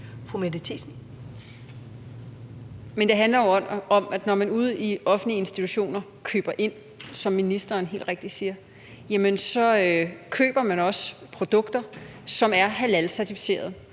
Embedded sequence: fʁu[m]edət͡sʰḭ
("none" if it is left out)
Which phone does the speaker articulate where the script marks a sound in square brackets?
m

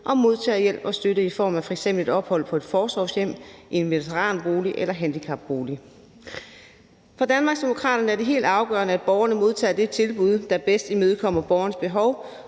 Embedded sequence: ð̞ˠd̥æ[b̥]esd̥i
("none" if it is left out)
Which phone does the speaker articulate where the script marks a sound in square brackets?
b̥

